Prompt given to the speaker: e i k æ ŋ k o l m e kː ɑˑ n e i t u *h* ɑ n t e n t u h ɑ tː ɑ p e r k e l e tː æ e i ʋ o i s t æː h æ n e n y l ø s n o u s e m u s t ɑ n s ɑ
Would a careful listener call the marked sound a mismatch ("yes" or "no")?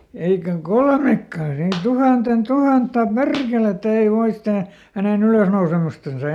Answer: no